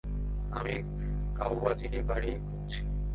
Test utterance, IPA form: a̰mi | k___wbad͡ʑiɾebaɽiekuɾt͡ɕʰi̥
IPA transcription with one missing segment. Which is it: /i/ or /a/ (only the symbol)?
a